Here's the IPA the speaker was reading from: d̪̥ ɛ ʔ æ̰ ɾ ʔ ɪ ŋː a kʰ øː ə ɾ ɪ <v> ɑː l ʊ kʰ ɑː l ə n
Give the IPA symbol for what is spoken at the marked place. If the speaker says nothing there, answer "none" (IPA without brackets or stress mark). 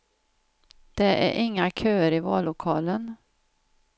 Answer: v